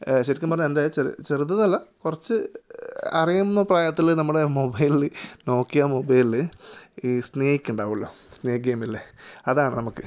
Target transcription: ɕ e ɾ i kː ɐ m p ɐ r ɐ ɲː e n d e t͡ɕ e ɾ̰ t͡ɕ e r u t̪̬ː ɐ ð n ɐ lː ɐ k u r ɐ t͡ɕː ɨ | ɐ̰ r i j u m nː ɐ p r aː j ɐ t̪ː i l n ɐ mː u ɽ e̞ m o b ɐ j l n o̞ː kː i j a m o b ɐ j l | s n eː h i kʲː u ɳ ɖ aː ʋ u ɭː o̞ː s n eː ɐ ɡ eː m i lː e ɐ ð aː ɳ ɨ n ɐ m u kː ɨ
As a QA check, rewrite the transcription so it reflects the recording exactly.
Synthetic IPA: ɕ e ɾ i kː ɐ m p ɐ r ɐ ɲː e n d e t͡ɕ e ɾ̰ t͡ɕ e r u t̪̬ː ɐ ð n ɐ lː ɐ k u r ɐ t͡ɕː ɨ | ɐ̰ r i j u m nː ɐ p r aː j ɐ t̪ː i l n ɐ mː u ɽ e̞ m o b ɐ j l n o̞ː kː i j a m o b ɐ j l | s n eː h i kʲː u ɳ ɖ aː ʋ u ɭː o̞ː s n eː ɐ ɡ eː m i lː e ɐ ð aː ɳ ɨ n ɐ m u kː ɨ